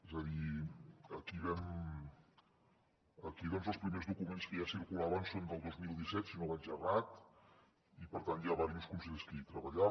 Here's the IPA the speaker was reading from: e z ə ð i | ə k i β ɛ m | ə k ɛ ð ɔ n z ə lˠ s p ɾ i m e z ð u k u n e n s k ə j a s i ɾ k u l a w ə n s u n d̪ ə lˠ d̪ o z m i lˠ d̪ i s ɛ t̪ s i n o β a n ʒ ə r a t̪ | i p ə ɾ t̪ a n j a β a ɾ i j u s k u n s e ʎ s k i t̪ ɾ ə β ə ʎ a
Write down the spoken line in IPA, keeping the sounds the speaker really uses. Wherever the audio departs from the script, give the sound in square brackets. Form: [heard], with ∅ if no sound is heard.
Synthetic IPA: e z ə ð i | ə k i β ɛ m | ə k [i] ð ɔ n z ə lˠ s p ɾ i m e z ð u k u [m] e n s k ə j a s i ɾ k u l a [β] ə n s [o] n d̪ ə lˠ d̪ o z m i lˠ d̪ i s ɛ t̪ s i n o β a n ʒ ə r a t̪ | i p ə ɾ t̪ a n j a β a ɾ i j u s k u n s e ʎ s k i t̪ ɾ ə β ə ʎ a